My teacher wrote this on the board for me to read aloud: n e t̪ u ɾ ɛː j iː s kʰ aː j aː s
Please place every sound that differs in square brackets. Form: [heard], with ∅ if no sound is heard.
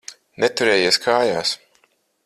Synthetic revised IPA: n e t̪ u ɾ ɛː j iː s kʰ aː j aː s